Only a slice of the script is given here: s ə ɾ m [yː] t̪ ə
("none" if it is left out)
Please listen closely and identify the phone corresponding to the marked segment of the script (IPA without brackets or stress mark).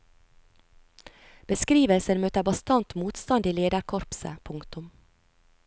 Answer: øː